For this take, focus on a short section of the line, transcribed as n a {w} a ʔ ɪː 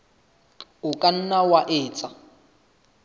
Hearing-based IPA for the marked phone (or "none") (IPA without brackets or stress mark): w